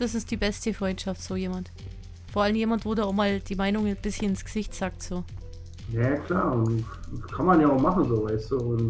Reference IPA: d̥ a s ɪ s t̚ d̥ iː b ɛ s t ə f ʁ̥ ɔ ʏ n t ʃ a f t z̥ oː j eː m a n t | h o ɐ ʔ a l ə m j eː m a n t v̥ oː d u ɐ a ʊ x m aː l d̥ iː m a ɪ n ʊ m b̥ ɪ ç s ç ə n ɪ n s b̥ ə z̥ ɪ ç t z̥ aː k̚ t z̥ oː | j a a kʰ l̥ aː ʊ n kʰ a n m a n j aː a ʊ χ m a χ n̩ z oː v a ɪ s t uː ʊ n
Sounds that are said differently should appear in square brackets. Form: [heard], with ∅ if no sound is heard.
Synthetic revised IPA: d̥ a s ɪ s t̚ d̥ iː b ɛ s t ə f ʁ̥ ɔ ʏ n t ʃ a f t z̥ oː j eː m a n t | [f] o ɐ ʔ a l ə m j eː m a n t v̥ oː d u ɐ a ʊ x m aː l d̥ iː m a ɪ n ʊ [ŋ] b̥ ɪ [∅] s ç ə n ɪ n s [ɡ̥] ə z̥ ɪ ç t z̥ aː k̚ t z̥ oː | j a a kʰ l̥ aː ʊ n kʰ a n m a n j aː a ʊ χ m a χ n̩ z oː v a ɪ s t uː ʊ n